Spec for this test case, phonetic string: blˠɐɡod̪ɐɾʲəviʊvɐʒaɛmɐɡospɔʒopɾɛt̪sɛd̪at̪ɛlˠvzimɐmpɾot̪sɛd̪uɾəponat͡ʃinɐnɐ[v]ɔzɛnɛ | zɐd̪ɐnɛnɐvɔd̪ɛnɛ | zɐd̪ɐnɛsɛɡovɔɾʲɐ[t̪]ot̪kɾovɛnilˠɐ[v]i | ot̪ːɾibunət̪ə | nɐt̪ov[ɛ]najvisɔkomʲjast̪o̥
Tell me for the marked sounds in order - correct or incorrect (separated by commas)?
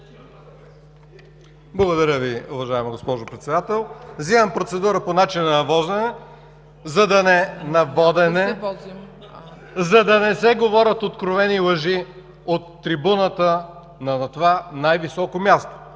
correct, correct, incorrect, incorrect